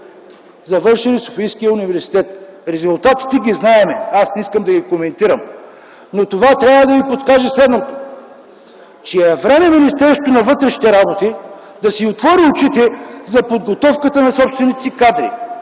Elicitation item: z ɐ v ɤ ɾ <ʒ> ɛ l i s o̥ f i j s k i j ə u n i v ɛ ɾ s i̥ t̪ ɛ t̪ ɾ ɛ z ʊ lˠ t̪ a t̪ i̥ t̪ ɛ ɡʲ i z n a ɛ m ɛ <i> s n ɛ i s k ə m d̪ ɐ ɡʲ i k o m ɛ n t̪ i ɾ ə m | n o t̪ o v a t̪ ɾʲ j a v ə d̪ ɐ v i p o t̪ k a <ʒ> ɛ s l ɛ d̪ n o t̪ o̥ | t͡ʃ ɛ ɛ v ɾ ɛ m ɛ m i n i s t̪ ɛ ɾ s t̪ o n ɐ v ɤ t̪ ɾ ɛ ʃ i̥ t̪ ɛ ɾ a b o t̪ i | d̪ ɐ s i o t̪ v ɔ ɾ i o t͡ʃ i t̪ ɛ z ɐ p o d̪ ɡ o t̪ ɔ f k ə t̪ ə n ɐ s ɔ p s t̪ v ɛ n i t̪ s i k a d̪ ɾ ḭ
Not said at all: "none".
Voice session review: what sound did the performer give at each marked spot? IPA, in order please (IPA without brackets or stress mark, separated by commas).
ʃ, a, ʒ